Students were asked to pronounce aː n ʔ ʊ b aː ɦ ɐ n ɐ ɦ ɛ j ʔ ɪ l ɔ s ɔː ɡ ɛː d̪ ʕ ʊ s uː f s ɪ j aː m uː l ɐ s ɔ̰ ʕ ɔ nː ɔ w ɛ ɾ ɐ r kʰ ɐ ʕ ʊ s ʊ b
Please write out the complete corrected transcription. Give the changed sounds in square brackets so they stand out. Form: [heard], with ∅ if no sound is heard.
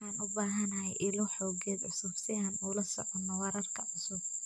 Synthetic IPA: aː n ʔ ʊ b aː ɦ ɐ n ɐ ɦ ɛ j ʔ ɪ l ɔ [ħ] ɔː ɡ ɛː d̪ ʕ ʊ s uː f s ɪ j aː [n] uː l ɐ s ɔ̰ ʕ ɔ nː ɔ w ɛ ɾ ɐ r kʰ ɐ ʕ ʊ s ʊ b